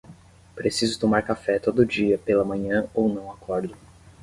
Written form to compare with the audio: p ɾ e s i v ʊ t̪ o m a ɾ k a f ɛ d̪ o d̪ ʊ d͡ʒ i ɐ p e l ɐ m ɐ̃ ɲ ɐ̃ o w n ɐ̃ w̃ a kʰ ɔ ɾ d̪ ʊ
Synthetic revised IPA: p ɾ e s i z ʊ t̪ o m a ɾ k a f ɛ t̪ o d̪ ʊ d͡ʒ i ɐ p e l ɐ m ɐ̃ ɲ ɐ̃ o w n ɐ̃ w̃ a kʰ ɔ ɾ d̪ ʊ